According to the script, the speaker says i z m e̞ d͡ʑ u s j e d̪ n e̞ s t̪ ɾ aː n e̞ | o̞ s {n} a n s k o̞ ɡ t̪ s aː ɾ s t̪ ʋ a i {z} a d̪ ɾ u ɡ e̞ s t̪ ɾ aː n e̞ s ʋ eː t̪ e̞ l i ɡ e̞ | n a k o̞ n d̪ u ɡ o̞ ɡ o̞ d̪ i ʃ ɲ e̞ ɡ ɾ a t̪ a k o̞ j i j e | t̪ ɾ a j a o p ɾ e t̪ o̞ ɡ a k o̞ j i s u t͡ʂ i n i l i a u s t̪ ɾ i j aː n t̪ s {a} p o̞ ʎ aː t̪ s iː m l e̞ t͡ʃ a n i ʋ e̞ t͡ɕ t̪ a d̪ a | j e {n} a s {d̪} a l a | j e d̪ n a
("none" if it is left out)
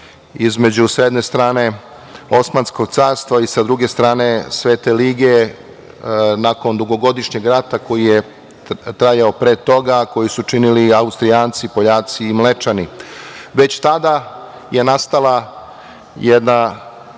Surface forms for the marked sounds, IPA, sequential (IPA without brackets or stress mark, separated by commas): m, s, i, n, t̪